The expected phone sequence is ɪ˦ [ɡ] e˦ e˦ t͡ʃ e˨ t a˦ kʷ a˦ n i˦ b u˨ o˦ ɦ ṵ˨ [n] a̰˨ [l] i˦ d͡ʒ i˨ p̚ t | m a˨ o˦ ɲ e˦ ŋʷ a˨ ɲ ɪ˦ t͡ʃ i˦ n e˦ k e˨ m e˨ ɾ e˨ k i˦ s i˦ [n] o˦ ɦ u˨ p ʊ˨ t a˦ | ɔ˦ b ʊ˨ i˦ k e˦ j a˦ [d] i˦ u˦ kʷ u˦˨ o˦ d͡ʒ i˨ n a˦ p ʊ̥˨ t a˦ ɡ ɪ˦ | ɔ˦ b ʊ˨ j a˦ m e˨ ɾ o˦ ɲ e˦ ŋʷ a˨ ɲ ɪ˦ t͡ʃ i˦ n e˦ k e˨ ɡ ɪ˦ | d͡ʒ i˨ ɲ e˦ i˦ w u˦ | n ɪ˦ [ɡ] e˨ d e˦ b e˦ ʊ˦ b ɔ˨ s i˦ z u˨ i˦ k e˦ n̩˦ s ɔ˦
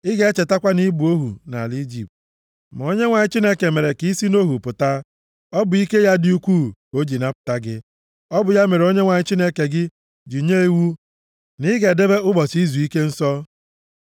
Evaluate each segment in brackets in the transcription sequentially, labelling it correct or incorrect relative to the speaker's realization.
correct, correct, correct, correct, correct, correct

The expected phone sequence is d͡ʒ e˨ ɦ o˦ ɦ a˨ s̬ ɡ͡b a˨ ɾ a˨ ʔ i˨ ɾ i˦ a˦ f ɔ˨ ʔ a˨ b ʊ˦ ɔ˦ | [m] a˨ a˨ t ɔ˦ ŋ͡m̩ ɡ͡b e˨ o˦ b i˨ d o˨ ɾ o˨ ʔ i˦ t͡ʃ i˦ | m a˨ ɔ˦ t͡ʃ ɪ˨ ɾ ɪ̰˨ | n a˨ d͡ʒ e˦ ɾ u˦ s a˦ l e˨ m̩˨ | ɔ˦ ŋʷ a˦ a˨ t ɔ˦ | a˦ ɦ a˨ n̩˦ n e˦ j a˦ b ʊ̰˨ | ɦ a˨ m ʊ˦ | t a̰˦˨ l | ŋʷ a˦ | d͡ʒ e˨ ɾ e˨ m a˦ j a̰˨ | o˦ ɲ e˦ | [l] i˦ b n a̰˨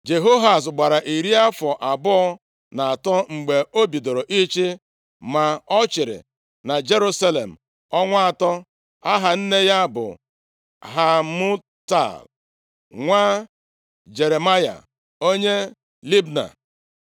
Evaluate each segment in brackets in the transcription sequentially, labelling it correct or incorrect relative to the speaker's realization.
incorrect: n, correct

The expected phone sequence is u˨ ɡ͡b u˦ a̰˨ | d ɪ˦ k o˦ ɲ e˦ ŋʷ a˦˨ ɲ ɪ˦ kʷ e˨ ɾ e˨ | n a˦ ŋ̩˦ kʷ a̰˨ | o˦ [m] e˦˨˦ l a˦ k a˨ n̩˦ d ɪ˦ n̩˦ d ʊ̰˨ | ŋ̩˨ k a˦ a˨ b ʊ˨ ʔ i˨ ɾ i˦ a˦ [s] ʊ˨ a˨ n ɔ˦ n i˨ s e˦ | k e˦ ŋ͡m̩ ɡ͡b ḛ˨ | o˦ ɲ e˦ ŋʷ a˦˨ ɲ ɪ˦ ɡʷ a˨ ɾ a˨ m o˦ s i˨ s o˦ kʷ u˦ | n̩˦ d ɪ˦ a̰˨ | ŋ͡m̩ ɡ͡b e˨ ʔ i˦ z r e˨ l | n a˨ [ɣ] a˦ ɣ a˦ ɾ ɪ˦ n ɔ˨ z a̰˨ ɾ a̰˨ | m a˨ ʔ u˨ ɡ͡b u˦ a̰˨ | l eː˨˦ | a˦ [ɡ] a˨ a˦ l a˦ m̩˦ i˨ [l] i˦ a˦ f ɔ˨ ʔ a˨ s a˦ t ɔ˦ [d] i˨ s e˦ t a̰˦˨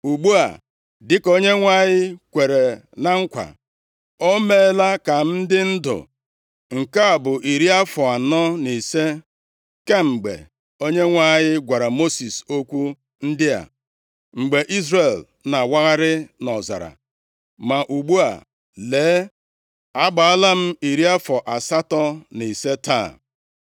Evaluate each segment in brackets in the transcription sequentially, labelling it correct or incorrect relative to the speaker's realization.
correct, incorrect: f, incorrect: w, incorrect: ɡ͡b, incorrect: ɾ, incorrect: n

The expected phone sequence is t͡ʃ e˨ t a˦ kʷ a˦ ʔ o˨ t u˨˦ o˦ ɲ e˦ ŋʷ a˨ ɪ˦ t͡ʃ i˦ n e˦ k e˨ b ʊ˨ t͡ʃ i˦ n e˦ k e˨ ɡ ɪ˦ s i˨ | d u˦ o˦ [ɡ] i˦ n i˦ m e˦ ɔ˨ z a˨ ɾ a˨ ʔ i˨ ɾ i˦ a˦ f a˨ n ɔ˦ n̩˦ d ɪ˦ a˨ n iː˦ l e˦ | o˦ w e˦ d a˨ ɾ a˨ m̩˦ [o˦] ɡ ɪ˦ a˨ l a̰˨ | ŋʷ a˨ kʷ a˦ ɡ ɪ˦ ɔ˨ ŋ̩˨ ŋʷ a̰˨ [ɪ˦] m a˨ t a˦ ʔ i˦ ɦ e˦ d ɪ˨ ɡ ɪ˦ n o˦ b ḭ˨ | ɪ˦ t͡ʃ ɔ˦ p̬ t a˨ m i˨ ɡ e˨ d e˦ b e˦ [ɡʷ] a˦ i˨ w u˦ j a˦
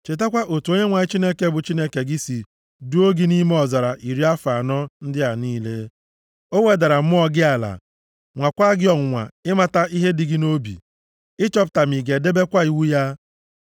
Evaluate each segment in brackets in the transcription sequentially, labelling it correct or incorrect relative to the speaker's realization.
correct, incorrect: ɔ˦, correct, incorrect: kʷ

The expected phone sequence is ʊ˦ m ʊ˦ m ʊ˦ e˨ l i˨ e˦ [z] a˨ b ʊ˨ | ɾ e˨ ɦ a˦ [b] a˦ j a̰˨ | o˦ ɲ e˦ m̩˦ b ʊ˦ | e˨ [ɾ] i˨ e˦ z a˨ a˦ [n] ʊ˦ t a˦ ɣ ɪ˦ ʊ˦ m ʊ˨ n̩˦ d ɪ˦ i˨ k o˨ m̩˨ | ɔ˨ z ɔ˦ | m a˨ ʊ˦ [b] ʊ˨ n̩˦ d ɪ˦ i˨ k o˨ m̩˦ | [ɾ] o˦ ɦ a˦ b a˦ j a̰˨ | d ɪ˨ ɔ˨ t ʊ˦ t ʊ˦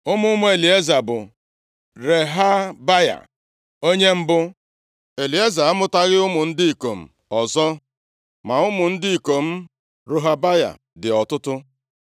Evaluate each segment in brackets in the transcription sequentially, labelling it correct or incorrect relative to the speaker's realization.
correct, correct, incorrect: l, incorrect: m, incorrect: m, correct

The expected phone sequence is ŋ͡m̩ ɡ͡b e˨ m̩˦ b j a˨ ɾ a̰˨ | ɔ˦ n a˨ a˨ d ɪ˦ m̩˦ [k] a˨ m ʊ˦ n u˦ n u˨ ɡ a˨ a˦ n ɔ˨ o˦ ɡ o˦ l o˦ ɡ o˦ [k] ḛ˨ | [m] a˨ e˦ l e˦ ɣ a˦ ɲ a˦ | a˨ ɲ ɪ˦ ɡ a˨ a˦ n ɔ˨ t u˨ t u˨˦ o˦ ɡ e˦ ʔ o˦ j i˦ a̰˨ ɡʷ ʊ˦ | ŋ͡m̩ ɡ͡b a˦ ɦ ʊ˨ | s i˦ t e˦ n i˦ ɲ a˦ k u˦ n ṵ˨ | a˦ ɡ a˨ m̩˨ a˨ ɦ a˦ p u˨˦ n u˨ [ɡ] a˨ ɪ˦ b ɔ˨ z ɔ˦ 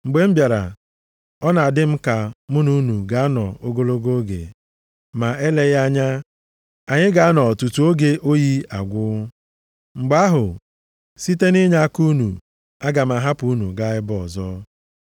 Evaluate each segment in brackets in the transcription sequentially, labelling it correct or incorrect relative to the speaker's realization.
correct, incorrect: ɡ, correct, correct

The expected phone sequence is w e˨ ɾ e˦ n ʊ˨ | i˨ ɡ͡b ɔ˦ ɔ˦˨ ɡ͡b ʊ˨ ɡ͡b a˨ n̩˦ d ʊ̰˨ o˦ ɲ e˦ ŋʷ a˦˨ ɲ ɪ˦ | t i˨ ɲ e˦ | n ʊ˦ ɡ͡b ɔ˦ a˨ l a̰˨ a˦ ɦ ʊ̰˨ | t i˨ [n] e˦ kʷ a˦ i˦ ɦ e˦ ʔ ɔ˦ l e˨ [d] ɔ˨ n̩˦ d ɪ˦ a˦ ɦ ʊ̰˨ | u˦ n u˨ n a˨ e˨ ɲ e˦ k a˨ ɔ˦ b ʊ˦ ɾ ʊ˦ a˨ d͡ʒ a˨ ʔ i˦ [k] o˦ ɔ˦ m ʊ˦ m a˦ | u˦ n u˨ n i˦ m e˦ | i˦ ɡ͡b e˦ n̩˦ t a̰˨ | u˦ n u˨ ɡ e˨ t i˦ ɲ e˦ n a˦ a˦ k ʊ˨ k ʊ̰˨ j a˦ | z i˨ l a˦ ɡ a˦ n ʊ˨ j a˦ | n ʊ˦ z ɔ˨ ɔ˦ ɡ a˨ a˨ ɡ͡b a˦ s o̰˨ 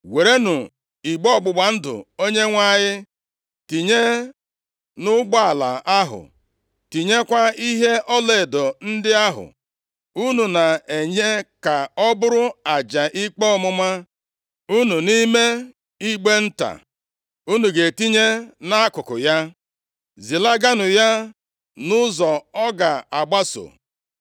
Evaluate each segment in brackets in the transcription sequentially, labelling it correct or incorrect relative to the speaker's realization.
incorrect: ɲ, correct, incorrect: k͡p

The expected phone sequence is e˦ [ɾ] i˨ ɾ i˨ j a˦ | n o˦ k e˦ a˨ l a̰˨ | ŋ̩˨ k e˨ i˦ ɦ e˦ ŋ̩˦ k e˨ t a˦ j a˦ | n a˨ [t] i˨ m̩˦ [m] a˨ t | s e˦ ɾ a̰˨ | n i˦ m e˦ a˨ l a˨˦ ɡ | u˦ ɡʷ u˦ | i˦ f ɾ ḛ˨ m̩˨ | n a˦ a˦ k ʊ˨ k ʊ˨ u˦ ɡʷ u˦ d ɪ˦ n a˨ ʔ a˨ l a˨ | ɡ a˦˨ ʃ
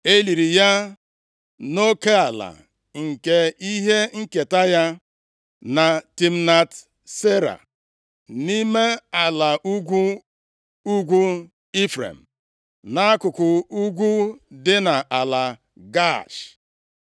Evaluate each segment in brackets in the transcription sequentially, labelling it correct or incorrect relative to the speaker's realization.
incorrect: l, correct, incorrect: n

